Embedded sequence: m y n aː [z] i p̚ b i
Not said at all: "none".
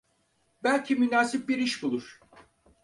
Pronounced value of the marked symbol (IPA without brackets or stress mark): s